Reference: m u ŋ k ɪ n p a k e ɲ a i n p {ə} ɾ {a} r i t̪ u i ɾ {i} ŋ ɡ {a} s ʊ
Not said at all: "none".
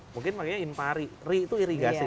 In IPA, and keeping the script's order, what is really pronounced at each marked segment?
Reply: a, i, i, a

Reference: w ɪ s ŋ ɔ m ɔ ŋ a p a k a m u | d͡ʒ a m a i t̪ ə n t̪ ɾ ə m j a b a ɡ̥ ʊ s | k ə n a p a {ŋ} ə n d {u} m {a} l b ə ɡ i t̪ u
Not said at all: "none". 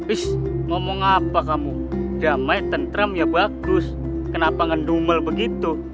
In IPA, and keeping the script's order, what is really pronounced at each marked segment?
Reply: ŋ, u, ə

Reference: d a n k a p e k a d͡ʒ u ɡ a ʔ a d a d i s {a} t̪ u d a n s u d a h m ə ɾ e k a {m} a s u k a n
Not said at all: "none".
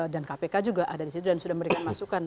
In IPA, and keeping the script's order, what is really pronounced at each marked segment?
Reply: i, m

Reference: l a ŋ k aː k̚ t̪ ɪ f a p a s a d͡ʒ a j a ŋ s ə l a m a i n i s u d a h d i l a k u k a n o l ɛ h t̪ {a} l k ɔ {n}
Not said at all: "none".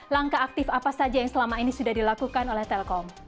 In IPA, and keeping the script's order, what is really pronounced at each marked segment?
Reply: ɛ, m

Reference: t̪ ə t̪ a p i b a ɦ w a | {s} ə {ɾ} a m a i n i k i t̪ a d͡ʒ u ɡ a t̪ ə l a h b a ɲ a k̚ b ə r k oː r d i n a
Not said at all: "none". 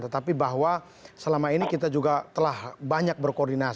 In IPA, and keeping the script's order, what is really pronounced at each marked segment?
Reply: s, l

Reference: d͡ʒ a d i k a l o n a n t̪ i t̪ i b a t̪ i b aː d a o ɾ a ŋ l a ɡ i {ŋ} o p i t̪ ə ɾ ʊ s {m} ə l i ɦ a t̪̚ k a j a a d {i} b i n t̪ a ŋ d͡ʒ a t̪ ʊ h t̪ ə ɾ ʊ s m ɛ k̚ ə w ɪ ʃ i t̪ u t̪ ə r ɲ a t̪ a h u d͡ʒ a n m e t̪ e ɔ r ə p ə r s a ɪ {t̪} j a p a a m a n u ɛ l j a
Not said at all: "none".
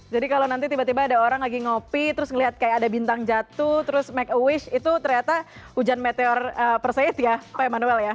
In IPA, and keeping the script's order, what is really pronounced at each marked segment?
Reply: ŋ, ŋ, a, t̪

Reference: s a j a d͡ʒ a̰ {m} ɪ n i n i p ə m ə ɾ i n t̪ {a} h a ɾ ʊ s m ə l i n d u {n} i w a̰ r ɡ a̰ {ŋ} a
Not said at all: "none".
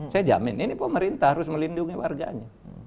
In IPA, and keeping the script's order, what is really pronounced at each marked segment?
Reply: m, a, ŋ, ɲ

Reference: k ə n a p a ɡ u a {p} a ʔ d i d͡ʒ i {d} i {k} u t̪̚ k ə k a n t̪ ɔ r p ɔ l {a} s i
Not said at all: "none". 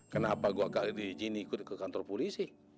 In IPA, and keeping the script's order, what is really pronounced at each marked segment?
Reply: k, n, k, i

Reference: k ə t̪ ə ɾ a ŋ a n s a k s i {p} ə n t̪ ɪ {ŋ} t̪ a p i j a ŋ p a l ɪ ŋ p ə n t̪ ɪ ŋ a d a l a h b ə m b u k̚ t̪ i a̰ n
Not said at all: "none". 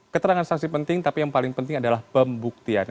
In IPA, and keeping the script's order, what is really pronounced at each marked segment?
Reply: p, ŋ

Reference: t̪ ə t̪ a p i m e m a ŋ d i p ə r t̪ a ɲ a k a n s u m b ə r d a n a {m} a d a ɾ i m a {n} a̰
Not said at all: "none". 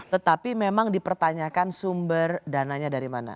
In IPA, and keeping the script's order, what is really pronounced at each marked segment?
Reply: ɲ, n

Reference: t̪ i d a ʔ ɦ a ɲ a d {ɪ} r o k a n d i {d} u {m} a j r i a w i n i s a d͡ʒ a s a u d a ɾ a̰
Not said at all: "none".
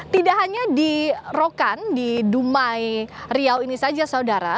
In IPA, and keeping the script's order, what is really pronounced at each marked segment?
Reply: i, d, m

